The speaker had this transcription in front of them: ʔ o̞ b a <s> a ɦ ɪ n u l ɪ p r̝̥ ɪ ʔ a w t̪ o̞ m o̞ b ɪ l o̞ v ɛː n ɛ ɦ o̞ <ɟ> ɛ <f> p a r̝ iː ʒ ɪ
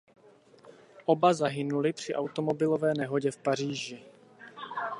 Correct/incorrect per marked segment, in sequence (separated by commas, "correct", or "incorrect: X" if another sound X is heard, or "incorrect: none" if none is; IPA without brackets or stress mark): incorrect: z, correct, correct